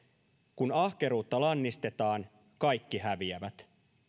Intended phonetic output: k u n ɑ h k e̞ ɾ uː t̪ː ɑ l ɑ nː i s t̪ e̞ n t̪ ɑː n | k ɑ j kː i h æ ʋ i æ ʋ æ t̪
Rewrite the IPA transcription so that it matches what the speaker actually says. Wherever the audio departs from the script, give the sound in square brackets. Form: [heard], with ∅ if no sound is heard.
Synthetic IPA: k u n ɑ h k e̞ ɾ uː t̪ː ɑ l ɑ nː i s t̪ e̞ [∅] t̪ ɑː n | k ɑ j kː i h æ ʋ i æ ʋ æ t̪